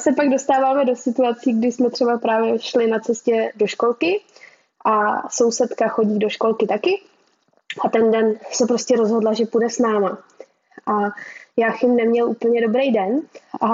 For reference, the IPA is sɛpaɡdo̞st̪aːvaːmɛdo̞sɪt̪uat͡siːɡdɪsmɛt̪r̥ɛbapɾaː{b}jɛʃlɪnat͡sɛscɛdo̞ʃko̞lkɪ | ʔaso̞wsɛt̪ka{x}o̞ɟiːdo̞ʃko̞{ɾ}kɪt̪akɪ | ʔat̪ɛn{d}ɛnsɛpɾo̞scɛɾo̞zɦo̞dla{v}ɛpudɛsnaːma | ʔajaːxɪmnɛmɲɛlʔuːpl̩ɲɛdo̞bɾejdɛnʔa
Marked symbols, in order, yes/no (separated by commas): no, yes, no, yes, no